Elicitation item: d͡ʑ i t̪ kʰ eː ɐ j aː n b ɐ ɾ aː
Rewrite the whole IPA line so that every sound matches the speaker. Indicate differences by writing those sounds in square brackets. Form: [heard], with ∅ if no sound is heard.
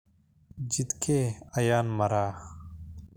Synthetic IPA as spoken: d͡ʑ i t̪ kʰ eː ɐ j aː n [m] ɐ ɾ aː